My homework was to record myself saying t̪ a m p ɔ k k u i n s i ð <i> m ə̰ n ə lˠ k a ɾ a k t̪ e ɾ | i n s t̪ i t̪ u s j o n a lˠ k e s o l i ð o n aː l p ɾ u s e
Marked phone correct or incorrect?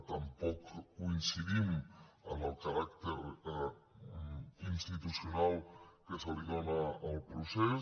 correct